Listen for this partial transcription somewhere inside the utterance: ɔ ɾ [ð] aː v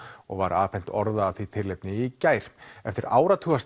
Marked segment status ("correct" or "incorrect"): correct